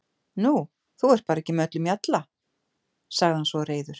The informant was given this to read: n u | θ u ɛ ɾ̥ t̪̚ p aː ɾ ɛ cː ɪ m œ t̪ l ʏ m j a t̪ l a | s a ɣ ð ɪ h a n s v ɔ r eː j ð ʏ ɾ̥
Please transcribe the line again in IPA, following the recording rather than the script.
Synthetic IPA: n u | θ u ɛ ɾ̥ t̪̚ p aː ɾ ɛ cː ɪ m œ t̪ l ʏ m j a t̪ l a | s a ɣ ð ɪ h a n s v ɔ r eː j ð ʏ ɾ̥